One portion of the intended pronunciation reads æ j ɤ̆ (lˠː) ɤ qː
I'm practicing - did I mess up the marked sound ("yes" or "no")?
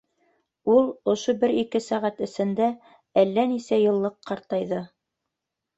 no